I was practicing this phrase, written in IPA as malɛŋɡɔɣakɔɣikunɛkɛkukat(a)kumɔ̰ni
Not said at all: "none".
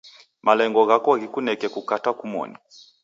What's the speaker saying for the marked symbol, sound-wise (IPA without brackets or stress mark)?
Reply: a